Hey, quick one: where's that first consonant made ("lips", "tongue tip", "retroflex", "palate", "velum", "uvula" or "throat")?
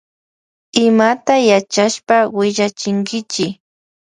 lips